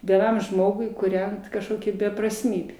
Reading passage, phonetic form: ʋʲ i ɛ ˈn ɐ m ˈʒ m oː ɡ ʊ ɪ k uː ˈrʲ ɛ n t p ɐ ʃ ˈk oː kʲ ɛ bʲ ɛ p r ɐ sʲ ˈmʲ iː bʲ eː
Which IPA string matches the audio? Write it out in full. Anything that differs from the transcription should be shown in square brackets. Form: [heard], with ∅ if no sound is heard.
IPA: ʋʲ i ɛ ˈn ɐ m ˈʒ m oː ɡ ʊ ɪ k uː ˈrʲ ɛ n t [k] ɐ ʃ ˈk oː kʲ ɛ bʲ ɛ p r ɐ sʲ ˈmʲ iː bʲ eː

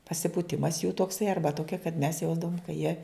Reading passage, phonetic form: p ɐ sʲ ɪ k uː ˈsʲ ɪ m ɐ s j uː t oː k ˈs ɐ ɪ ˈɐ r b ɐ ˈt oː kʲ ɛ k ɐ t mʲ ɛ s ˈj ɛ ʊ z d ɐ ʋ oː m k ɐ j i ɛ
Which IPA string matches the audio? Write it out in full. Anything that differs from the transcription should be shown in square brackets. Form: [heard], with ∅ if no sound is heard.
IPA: p ɐ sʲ ɪ [p] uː [ˈtʲ] ɪ m ɐ s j uː t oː k ˈs ɐ ɪ ˈɐ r b ɐ ˈt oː kʲ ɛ k ɐ t mʲ ɛ s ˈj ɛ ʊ z d ɐ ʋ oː m k ɐ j i ɛ

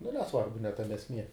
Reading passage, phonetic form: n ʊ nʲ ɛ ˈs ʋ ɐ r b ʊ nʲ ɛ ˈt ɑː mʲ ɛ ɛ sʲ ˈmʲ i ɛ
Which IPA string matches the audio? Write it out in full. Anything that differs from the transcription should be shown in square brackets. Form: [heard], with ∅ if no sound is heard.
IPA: n ʊ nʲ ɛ ˈs ʋ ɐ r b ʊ nʲ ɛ ˈt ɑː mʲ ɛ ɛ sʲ ˈmʲ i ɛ

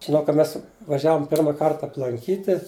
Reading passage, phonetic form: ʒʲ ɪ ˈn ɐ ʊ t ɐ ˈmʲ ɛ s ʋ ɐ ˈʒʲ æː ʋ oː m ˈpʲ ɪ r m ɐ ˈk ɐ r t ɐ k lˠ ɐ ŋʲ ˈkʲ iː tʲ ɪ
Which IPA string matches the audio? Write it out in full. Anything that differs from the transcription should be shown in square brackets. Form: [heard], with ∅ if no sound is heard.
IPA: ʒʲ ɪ ˈn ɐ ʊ [k] ɐ ˈmʲ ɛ s ʋ ɐ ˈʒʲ æː ʋ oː m ˈpʲ ɪ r m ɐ ˈk ɐ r t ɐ [p] lˠ ɐ ŋʲ ˈkʲ iː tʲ ɪ

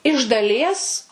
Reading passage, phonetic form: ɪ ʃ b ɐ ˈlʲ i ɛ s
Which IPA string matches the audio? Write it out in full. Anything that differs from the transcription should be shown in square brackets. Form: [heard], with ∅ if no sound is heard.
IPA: ɪ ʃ [d] ɐ ˈlʲ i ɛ s

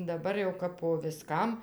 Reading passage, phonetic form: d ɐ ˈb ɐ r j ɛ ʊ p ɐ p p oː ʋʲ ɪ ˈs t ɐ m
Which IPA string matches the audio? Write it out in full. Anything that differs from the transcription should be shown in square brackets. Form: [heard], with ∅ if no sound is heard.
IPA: d ɐ ˈb ɐ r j ɛ ʊ [k] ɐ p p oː ʋʲ ɪ ˈs [k] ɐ m

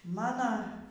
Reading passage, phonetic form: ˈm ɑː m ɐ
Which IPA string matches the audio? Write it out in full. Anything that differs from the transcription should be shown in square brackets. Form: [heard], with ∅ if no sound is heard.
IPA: ˈm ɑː [n] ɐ

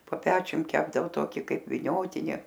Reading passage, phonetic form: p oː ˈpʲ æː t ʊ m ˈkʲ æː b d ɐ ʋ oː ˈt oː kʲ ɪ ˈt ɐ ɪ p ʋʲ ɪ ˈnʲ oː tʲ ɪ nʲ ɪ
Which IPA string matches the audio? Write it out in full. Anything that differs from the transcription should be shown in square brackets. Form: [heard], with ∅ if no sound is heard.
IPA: p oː ˈpʲ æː [t͡ʃʲ] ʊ m ˈkʲ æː b d ɐ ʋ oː ˈt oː kʲ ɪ [ˈk] ɐ ɪ p ʋʲ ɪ ˈnʲ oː tʲ ɪ nʲ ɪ

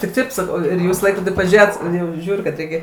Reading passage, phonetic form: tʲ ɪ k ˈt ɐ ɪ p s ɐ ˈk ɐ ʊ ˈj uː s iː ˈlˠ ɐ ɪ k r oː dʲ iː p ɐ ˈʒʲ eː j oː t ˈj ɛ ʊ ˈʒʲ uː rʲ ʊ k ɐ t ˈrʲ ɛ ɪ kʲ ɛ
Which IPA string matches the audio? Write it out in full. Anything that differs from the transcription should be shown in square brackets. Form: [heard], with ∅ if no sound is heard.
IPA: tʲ ɪ k ˈt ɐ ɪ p s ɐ ˈk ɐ ʊ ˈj uː s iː ˈlˠ ɐ ɪ k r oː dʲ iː p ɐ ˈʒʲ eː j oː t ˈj ɛ ʊ ˈʒʲ uː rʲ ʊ k ɐ t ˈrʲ ɛ ɪ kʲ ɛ

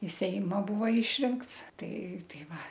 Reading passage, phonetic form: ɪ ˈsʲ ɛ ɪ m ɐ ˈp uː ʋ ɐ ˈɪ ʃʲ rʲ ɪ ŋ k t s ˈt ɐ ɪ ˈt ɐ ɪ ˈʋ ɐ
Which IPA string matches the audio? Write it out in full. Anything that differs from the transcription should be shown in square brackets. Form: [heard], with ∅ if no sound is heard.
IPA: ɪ ˈsʲ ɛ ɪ m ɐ [ˈb] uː ʋ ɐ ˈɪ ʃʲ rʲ ɪ ŋ k t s ˈt ɐ ɪ ˈt ɐ ɪ ˈʋ ɐ

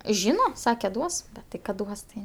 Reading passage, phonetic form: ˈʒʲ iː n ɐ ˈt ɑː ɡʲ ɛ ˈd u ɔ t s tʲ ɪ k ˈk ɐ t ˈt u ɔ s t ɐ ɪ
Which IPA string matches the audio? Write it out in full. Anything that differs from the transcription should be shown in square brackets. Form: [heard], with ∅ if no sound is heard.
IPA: ˈʒʲ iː n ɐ [ˈs] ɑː [kʲ] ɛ ˈd u ɔ [∅] s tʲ ɪ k ˈk ɐ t [ˈd] u ɔ s t ɐ ɪ

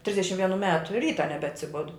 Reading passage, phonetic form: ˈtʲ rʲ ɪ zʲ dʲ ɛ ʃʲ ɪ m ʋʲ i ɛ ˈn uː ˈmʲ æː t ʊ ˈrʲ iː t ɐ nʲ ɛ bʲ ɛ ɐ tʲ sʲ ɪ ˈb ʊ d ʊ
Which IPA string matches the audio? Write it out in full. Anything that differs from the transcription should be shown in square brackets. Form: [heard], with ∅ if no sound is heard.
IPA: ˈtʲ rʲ ɪ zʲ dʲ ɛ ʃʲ ɪ m ʋʲ i ɛ ˈn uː ˈmʲ æː t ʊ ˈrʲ iː t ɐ nʲ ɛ bʲ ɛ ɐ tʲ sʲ ɪ ˈb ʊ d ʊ

